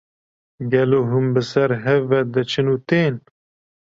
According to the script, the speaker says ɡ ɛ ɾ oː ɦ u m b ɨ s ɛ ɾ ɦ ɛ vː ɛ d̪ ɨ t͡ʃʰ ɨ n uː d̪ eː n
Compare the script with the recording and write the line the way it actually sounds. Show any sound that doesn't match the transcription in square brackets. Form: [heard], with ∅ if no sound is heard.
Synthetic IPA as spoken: ɡ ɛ [l] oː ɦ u m b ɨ s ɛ ɾ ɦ ɛ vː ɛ d̪ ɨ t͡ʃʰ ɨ n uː [t̪] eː n

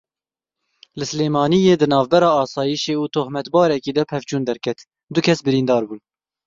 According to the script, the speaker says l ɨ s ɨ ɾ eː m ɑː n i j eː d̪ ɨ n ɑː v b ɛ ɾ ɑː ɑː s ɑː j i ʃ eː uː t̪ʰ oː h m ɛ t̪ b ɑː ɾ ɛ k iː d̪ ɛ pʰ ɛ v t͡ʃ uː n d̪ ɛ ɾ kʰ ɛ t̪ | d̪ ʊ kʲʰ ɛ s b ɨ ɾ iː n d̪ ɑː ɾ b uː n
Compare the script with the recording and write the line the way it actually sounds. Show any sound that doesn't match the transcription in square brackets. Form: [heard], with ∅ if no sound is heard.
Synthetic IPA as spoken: l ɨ s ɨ [l] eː m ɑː n i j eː d̪ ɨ n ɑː v b ɛ ɾ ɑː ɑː s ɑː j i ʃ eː uː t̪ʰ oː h m ɛ t̪ b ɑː ɾ ɛ k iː d̪ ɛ pʰ ɛ v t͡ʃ uː n d̪ ɛ ɾ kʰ ɛ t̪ | d̪ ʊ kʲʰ ɛ s b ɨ ɾ iː n d̪ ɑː ɾ b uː n

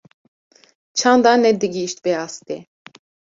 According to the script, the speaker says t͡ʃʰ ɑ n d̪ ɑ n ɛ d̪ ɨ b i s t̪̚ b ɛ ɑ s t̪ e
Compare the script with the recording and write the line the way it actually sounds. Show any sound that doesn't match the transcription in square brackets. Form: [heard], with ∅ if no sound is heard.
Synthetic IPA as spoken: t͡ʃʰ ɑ n d̪ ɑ n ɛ d̪ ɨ [ɡ] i [ʃ] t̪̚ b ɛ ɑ s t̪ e

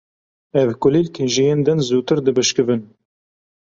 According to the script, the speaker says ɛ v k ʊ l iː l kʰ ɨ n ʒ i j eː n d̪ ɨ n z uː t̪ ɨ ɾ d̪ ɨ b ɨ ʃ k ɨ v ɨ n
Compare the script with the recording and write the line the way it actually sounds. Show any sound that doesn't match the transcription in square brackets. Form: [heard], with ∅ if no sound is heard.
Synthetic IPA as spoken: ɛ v k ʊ l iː l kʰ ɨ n ʒ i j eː n d̪ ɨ n z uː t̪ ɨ ɾ d̪ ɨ b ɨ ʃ k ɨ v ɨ n

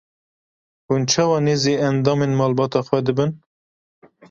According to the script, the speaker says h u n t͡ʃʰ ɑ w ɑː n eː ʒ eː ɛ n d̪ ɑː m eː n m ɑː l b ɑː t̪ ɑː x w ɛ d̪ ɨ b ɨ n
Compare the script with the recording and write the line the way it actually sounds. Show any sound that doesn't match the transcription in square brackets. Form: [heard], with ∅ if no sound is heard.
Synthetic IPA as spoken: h u n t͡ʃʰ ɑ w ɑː n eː [z] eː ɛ n d̪ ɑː m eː n m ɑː l b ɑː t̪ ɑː x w ɛ d̪ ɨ b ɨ n

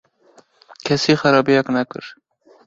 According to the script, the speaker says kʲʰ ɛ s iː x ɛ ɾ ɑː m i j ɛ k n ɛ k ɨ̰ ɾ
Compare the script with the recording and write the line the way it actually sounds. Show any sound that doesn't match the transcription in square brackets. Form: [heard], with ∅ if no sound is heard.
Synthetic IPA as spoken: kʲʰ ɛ s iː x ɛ ɾ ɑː [b] i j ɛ k n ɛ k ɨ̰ ɾ

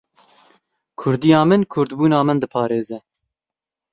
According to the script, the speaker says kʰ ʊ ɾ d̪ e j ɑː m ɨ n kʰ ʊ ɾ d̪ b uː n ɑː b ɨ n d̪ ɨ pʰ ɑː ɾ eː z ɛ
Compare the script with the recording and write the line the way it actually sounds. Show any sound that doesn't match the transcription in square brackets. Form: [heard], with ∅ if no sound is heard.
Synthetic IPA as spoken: kʰ ʊ ɾ d̪ [i] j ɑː m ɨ n kʰ ʊ ɾ d̪ b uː n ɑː [m] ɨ n d̪ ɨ pʰ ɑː ɾ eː z ɛ

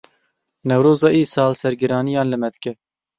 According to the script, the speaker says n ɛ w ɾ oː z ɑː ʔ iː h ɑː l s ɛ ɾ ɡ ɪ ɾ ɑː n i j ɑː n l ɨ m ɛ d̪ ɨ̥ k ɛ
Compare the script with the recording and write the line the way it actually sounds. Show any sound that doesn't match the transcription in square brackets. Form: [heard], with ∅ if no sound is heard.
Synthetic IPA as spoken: n ɛ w ɾ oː z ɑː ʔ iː [s] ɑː l s ɛ ɾ ɡ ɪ ɾ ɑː n i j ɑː n l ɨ m ɛ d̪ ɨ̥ k ɛ

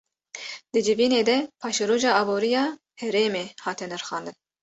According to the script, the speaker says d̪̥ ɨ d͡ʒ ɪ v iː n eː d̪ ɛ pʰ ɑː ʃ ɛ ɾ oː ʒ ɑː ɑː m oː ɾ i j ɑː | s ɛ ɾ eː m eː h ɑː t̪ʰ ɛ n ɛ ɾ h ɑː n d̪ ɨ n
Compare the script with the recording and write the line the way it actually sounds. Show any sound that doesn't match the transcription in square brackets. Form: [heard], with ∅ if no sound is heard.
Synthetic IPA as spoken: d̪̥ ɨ d͡ʒ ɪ v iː n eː d̪ ɛ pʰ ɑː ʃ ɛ ɾ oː ʒ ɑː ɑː [b] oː ɾ i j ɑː | [h] ɛ ɾ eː m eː h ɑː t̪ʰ ɛ n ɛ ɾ [x] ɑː n d̪ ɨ n

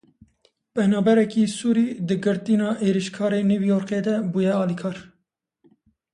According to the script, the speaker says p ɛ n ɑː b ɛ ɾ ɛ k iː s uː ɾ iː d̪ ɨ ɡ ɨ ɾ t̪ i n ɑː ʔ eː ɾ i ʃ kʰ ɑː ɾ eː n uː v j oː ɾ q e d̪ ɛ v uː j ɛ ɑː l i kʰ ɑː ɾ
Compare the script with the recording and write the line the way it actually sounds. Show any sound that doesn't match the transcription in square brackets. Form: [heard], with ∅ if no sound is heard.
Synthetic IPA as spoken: p ɛ n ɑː b ɛ ɾ ɛ k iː s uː ɾ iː d̪ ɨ ɡ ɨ ɾ t̪ i n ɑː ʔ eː ɾ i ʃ kʰ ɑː ɾ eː n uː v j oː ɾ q e d̪ ɛ [b] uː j ɛ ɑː l i kʰ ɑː ɾ

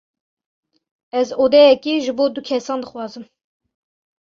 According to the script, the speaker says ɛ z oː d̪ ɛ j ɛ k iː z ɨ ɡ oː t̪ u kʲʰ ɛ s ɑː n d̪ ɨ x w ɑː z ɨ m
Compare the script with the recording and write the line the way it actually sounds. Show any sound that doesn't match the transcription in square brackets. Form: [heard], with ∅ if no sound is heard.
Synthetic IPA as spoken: ɛ z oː d̪ ɛ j ɛ k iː [ʒ] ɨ [b] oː [d̪] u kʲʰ ɛ s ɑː n d̪ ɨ x w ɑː z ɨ m

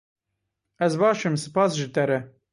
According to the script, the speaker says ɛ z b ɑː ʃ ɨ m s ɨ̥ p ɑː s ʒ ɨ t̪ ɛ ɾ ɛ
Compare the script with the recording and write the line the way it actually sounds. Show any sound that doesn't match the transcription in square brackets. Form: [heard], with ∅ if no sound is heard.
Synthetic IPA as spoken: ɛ z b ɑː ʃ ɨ m s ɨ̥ p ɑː s ʒ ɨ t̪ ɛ ɾ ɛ

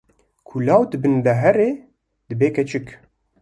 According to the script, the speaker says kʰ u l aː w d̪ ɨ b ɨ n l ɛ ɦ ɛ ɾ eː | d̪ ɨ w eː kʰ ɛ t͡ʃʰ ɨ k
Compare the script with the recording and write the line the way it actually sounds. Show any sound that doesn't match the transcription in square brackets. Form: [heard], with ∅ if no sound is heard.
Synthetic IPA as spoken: kʰ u l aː w d̪ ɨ b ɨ n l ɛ ɦ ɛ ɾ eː | d̪ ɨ [b] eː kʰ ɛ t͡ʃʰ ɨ k

